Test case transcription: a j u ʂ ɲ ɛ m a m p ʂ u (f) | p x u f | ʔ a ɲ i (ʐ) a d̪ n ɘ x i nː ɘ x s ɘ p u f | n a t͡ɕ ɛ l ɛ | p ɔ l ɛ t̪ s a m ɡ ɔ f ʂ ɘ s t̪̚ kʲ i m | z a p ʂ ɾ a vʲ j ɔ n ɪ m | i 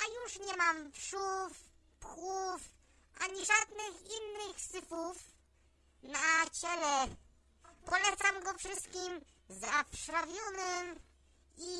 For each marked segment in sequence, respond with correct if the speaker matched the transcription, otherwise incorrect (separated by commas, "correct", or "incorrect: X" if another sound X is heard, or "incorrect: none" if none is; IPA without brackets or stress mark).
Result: correct, correct